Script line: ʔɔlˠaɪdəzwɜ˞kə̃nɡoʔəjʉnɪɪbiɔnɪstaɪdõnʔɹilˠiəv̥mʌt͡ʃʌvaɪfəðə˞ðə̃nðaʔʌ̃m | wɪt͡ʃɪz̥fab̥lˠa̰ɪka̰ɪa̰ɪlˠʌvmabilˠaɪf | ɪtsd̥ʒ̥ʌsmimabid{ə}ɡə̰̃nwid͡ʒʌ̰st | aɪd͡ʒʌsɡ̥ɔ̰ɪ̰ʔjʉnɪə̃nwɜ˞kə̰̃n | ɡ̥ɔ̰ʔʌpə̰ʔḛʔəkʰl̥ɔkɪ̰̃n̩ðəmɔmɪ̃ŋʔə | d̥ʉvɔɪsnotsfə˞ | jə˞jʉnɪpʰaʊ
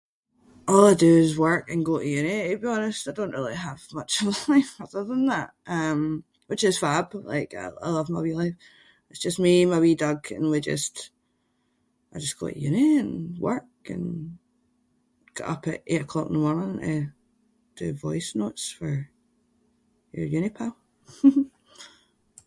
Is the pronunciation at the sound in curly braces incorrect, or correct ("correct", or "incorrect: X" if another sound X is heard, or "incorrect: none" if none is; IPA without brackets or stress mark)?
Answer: incorrect: ʌ